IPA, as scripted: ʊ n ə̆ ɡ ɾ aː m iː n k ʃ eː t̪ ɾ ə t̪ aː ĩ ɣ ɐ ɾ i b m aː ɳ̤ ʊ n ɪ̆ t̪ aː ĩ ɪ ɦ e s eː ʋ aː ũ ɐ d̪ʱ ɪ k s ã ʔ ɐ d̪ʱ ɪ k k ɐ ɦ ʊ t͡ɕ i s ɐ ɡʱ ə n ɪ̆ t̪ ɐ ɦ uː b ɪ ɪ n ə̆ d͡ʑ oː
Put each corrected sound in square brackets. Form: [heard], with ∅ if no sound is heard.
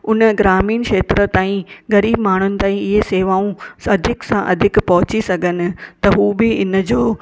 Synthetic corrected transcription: ʊ n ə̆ ɡ ɾ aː m iː n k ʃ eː t̪ ɾ ə t̪ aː ĩ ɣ ɐ ɾ [iː] b m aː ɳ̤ ʊ n ɪ̆ t̪ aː ĩ ɪ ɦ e s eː ʋ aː ũ ɐ d̪ʱ ɪ k s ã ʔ ɐ d̪ʱ ɪ k [p] ɐ ɦ ʊ t͡ɕ i s ɐ ɡʱ ə n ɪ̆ t̪ ɐ ɦ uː b ɪ ɪ n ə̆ d͡ʑ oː